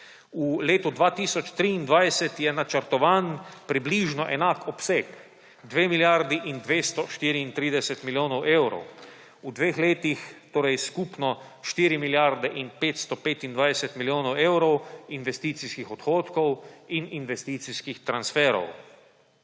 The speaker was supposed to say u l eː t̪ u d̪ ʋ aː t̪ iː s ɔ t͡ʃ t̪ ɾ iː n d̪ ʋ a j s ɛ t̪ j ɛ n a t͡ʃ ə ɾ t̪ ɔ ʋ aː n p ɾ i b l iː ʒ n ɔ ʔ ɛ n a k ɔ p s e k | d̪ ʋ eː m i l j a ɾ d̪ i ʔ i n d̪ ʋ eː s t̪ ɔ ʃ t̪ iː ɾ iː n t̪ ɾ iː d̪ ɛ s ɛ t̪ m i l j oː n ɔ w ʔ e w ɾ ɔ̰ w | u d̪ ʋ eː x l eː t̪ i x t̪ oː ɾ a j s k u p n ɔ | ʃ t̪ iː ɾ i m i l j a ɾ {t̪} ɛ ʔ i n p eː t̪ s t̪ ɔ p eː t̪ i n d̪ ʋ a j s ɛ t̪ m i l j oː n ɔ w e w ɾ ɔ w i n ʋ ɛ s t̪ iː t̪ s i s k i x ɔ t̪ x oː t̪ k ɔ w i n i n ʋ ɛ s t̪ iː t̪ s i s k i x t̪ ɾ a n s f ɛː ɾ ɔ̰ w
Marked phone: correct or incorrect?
incorrect